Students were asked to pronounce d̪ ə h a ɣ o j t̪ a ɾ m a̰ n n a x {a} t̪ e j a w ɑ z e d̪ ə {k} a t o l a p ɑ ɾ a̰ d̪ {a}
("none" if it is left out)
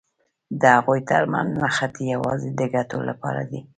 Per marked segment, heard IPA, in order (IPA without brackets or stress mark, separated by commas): a, ɡ, i